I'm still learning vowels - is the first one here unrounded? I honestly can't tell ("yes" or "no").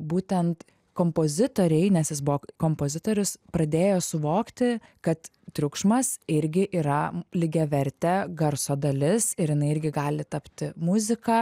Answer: no